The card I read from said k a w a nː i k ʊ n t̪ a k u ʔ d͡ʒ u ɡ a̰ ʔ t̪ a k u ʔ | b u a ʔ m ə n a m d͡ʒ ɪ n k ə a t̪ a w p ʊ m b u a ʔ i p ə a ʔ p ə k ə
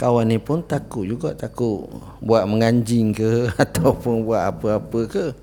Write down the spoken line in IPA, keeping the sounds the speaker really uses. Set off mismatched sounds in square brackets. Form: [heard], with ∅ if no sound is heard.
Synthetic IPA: k a w a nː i [p] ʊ n t̪ a k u ʔ d͡ʒ u ɡ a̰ ʔ t̪ a k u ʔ | b u a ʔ m ə [ŋ] a [ɲ] d͡ʒ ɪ [ŋ] k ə a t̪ a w p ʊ [n] b u a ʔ [a] p ə a [∅] p ə k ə